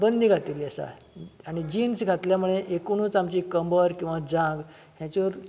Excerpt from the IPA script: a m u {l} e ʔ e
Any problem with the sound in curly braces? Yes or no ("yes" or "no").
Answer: yes